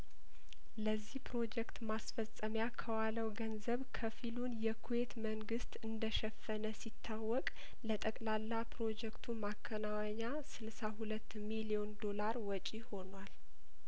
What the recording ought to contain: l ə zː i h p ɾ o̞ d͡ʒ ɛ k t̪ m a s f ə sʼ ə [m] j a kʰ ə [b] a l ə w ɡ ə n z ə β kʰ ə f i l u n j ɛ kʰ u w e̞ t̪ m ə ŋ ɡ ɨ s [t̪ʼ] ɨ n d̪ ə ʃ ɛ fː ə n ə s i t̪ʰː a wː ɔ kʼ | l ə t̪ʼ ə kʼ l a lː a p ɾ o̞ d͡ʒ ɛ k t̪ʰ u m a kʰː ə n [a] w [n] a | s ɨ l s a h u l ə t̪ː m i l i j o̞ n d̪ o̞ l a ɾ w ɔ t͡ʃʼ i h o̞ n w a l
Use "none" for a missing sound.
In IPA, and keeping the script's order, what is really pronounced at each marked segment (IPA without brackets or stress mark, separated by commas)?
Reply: m, w, t̪, a, ɲ